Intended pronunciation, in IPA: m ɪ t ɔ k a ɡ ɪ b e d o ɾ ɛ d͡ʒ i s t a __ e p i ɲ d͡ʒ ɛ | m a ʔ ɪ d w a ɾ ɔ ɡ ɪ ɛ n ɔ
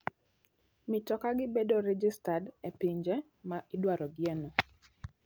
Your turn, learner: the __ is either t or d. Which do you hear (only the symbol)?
d